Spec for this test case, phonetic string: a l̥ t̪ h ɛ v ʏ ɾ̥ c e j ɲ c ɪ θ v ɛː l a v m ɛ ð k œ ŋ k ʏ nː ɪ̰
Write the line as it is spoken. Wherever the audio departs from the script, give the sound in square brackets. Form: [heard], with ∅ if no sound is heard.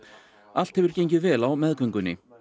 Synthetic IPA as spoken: a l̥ t̪ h ɛ v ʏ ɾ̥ c e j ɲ c ɪ [ð] v ɛː l a [w] m ɛ ð k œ ŋ k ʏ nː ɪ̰